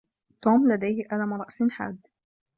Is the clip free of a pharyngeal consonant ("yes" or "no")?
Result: no